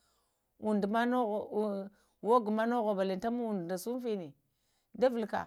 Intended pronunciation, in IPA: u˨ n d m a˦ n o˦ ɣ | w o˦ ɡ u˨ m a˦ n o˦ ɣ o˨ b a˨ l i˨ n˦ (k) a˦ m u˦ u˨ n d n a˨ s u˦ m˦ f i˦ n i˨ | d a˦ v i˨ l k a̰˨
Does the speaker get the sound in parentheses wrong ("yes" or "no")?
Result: yes